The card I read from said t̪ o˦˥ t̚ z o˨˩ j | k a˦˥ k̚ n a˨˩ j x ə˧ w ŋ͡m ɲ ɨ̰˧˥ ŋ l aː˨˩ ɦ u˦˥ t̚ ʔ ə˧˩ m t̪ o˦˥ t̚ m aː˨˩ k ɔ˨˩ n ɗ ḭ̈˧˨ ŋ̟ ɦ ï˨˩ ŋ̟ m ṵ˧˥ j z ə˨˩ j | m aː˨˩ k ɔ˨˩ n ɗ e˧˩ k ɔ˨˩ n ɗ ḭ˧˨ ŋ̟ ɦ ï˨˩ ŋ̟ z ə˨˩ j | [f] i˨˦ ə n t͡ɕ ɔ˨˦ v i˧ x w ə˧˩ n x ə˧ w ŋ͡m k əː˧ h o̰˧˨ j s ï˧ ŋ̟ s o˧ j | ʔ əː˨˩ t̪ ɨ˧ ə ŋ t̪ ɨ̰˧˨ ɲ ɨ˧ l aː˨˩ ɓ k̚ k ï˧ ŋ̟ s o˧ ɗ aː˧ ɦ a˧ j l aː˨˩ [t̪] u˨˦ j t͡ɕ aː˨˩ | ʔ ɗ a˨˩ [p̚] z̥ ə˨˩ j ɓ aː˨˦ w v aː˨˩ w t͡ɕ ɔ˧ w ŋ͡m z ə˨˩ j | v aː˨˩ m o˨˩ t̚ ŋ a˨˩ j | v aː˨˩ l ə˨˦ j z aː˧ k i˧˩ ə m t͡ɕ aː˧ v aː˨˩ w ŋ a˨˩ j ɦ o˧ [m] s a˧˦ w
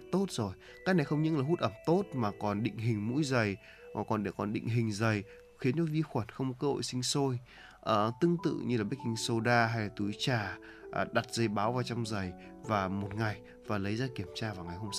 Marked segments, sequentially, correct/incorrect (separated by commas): incorrect, correct, incorrect, correct